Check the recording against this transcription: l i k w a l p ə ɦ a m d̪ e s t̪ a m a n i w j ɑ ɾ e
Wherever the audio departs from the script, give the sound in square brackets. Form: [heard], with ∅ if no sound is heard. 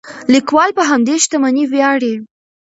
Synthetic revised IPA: l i k w [ɑ] l p ə ɦ a m d̪ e [ʃ] t̪ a m a n i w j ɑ [ɽ] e